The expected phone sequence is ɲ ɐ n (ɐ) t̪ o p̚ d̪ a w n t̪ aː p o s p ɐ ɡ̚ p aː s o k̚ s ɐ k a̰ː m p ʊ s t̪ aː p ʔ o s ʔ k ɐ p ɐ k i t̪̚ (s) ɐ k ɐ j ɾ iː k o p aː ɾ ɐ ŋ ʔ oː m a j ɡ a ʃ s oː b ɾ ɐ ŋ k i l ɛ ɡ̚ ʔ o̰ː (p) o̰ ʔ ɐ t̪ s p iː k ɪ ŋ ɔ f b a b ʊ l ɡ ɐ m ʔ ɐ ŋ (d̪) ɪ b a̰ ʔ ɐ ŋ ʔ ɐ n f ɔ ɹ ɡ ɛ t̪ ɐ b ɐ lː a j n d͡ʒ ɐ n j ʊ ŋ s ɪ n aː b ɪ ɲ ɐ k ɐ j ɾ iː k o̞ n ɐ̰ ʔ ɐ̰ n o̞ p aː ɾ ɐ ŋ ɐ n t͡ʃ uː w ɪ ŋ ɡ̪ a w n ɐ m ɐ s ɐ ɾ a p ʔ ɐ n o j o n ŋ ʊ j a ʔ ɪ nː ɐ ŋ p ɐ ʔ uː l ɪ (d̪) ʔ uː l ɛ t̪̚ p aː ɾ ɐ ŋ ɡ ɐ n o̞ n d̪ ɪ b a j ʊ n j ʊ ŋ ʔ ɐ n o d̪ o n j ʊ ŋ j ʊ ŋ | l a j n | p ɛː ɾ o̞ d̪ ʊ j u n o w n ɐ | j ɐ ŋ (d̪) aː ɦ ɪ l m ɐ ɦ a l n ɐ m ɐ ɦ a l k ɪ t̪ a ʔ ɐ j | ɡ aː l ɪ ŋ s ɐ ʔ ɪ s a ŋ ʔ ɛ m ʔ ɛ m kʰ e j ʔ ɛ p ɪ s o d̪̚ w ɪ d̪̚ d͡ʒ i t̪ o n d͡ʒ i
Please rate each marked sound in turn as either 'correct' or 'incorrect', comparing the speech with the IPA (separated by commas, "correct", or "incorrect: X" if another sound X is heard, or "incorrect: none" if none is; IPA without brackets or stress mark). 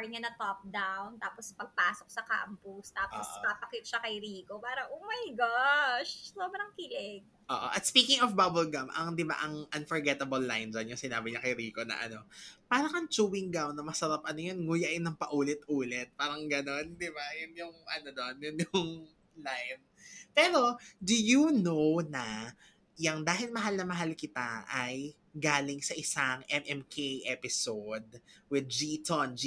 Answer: correct, incorrect: ʃ, incorrect: ʔ, correct, incorrect: t̪, correct